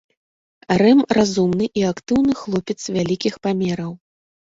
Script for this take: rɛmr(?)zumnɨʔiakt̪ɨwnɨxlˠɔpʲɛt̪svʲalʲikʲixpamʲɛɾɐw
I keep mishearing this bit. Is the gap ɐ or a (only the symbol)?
a